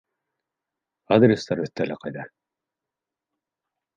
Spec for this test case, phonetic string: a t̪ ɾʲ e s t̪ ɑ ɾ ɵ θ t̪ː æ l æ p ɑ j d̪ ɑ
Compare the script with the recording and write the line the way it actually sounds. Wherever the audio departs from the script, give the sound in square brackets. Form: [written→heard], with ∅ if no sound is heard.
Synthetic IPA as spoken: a [t̪→d̪] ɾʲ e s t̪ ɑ ɾ ɵ θ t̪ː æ l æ [p→q] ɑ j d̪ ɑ

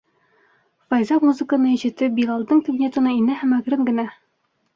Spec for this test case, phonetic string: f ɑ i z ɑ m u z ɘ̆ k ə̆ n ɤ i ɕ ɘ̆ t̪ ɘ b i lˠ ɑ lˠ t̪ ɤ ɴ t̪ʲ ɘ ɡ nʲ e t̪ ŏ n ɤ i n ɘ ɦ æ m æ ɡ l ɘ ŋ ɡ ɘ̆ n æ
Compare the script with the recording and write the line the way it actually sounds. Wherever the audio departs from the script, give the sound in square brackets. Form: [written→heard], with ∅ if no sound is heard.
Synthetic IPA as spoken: f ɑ [i→j] z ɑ m u z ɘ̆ k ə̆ n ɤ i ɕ ɘ̆ t̪ ɘ b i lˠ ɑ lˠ [t̪→d̪] ɤ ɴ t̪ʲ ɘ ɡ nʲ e t̪ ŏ n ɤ i n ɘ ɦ æ m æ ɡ [l→ɾ] ɘ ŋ ɡ ɘ̆ n æ

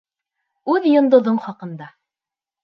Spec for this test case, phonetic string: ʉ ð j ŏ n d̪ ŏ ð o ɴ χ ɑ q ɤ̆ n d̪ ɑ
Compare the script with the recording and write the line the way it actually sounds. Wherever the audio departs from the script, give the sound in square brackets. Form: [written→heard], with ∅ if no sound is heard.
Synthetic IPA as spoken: ʉ ð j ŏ n d̪ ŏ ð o ɴ χ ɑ q ɤ̆ n d̪ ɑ

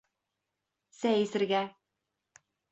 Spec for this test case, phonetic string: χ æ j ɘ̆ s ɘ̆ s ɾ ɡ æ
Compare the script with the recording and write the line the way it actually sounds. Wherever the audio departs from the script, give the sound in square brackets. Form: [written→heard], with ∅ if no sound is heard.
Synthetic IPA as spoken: [χ→s] æ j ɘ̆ s ɘ̆ [s→∅] ɾ ɡ æ

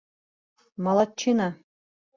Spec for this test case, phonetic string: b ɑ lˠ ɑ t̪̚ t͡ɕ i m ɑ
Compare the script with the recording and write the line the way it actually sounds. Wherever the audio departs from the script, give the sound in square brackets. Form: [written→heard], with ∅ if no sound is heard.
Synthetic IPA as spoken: [b→m] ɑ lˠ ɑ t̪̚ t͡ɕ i [m→n] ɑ

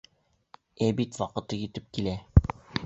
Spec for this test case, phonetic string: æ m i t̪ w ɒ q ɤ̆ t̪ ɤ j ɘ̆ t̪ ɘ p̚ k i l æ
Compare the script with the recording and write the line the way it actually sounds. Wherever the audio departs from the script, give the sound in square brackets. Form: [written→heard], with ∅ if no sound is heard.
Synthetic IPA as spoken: æ [m→b] i t̪ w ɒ q ɤ̆ t̪ ɤ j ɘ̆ t̪ ɘ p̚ k i l æ

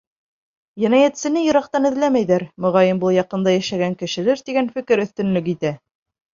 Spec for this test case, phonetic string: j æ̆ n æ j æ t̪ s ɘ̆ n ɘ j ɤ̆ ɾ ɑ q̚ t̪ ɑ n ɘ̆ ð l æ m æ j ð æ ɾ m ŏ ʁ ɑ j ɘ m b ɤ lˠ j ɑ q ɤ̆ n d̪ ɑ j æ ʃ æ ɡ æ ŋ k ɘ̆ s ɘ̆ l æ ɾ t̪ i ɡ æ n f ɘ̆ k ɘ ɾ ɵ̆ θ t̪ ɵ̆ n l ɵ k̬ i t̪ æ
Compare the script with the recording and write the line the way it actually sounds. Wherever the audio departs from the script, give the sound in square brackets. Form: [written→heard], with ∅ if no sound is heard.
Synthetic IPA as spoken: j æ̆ n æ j æ t̪ s ɘ̆ n ɘ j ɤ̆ ɾ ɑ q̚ t̪ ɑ n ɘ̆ ð l æ m æ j ð æ ɾ m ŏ ʁ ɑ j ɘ m b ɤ lˠ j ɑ q ɤ̆ n d̪ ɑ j æ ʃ æ ɡ æ ŋ k ɘ̆ [s→ʃ] ɘ̆ l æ ɾ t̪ i ɡ æ n f ɘ̆ k ɘ ɾ ɵ̆ θ t̪ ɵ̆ n l ɵ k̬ i t̪ æ

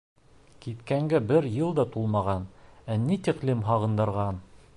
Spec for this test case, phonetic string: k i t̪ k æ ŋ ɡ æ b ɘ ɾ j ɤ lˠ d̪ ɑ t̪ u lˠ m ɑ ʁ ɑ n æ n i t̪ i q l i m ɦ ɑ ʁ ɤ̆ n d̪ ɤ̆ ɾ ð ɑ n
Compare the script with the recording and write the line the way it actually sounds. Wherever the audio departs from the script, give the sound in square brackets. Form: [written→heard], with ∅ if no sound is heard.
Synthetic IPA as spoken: k i t̪ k æ ŋ ɡ æ b ɘ ɾ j ɤ lˠ d̪ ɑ t̪ u lˠ m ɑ ʁ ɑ n æ n i t̪ i q l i m ɦ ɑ ʁ ɤ̆ n d̪ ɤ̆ ɾ [ð→ʁ] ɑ n

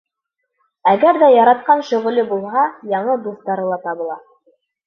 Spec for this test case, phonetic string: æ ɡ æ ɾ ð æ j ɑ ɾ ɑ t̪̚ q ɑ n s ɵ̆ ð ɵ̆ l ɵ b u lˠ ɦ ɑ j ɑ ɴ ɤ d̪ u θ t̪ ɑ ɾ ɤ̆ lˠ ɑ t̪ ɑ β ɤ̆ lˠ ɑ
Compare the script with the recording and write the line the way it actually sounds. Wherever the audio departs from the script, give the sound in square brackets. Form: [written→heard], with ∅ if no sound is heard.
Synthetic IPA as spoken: æ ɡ æ ɾ ð æ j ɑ ɾ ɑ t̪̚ q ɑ n [s→ʃ] ɵ̆ [ð→ʁ] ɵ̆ l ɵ b u lˠ ɦ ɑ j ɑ ɴ ɤ d̪ u θ t̪ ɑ ɾ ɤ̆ lˠ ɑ t̪ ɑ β ɤ̆ lˠ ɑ

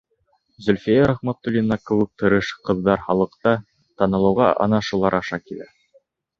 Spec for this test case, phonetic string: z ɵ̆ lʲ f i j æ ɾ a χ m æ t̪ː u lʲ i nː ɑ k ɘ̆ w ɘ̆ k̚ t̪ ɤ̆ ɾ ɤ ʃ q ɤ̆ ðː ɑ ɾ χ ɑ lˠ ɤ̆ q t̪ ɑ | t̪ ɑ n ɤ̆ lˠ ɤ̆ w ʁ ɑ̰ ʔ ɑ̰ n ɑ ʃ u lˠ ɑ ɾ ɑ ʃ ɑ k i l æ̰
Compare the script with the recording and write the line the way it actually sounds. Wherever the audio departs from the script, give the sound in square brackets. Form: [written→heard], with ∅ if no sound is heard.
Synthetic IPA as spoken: z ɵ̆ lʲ f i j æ ɾ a χ m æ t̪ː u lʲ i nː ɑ k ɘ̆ w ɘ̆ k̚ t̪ ɤ̆ ɾ ɤ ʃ q ɤ̆ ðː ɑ ɾ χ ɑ lˠ ɤ̆ q t̪ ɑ | t̪ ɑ n ɤ̆ lˠ ɤ̆ w ʁ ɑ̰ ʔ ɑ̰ n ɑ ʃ u lˠ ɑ ɾ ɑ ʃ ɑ k i l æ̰

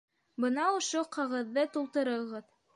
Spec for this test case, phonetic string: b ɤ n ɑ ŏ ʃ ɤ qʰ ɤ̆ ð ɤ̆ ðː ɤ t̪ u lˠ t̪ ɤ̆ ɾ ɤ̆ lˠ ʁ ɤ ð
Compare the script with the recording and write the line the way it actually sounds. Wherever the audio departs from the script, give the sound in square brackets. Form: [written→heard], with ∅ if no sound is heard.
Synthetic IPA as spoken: b ɤ n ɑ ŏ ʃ [ɤ→o] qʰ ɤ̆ [ð→ʁ] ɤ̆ ðː ɤ t̪ u lˠ t̪ ɤ̆ ɾ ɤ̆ [lˠ→∅] ʁ ɤ ð

